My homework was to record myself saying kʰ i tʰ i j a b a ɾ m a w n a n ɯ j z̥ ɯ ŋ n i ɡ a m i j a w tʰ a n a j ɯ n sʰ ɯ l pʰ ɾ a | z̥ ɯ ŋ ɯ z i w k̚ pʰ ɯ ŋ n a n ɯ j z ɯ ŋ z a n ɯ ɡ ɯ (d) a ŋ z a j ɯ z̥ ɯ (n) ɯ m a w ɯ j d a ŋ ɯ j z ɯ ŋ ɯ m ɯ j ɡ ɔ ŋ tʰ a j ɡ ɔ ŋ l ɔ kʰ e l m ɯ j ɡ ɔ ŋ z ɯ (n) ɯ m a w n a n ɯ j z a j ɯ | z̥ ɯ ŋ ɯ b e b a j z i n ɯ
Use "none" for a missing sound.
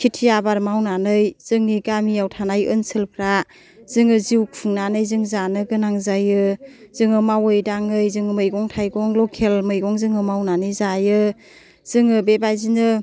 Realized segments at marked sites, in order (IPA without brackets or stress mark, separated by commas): n, ŋ, ŋ